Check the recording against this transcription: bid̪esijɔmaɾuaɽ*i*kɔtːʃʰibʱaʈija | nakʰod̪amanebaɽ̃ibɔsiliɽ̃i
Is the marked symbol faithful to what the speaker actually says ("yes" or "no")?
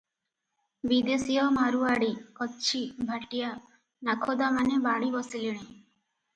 yes